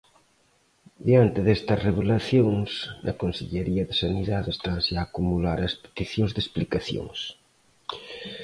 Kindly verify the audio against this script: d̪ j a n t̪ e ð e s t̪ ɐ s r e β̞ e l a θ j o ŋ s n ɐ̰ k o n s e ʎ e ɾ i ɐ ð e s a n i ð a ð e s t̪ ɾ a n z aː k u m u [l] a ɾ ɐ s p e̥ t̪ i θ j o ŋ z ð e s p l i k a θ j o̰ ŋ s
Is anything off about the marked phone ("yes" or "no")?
no